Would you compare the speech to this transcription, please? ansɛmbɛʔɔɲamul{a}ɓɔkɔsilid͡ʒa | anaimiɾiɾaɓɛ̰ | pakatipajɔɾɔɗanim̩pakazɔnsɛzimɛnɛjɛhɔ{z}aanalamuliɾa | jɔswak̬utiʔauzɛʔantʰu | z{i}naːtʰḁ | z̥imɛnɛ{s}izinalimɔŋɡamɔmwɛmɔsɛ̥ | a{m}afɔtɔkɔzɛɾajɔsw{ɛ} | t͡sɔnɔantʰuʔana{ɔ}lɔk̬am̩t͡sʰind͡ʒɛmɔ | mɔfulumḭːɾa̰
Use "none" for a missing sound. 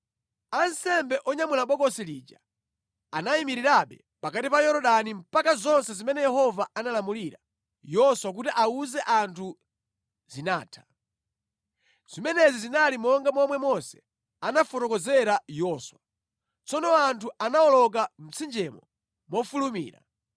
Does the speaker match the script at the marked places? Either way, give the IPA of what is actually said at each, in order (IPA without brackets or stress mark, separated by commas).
a, v, i, z, n, a, ɔ